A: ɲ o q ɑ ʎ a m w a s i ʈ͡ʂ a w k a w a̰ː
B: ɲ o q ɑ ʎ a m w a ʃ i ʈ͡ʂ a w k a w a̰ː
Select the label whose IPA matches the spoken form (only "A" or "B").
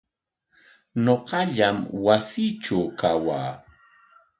A